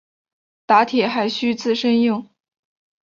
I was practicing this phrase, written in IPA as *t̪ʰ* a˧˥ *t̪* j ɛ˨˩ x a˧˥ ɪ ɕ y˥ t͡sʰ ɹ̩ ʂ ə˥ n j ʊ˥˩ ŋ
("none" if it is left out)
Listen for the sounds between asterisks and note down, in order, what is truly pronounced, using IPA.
t̪, t̪ʰ

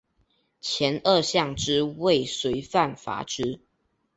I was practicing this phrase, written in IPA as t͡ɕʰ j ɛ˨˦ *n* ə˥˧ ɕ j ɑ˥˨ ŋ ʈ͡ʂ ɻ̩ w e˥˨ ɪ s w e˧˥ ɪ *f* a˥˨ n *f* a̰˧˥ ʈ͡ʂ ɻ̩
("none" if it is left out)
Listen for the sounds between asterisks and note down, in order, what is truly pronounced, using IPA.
n, f, f

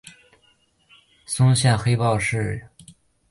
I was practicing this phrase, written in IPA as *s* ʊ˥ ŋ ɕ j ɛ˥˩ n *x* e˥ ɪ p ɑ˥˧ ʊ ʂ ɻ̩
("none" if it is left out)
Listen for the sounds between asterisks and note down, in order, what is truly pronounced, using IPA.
s, x

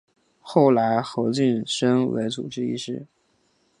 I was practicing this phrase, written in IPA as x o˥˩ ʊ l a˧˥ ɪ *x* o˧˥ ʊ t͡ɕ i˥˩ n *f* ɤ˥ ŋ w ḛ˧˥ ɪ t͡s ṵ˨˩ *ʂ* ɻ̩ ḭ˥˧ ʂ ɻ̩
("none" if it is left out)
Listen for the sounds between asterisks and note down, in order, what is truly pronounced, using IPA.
x, ʂ, ʈ͡ʂ

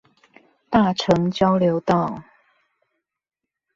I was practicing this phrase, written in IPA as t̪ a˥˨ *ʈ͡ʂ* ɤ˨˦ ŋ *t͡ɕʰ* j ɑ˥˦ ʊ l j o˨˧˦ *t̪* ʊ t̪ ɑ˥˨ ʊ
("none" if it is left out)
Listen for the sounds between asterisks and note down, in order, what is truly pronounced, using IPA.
ʈ͡ʂʰ, t͡ɕ, none

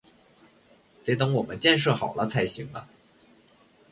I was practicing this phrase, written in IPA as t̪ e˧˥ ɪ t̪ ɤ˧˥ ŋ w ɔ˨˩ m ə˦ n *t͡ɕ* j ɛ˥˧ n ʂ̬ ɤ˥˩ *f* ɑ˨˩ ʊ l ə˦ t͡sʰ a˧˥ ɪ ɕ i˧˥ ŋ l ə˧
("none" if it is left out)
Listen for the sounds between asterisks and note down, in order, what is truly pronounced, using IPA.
t͡ɕ, x

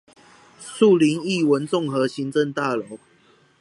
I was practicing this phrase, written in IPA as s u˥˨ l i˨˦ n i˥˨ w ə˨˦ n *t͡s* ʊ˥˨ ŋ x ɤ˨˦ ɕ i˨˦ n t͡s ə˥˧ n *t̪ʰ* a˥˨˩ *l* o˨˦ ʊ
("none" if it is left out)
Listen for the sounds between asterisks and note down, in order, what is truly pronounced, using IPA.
t͡s, t̪, l

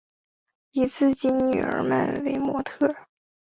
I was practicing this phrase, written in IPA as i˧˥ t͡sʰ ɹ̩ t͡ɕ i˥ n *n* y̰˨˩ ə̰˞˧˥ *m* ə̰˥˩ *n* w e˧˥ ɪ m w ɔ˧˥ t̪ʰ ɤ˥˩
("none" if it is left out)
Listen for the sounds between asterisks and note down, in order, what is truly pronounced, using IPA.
n, m, n

